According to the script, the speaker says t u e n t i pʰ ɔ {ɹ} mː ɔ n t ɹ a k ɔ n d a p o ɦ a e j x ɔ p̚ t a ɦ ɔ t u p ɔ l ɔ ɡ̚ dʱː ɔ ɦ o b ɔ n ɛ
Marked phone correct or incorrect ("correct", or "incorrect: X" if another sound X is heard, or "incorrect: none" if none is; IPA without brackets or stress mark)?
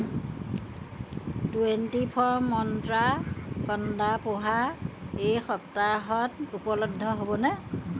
correct